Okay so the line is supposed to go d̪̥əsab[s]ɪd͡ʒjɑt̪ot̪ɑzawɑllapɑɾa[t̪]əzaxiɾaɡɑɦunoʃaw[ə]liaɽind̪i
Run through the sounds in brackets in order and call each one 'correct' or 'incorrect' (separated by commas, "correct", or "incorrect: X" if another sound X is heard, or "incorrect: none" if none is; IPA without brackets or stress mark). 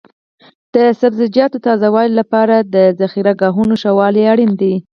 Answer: incorrect: z, incorrect: d̪, incorrect: ɑ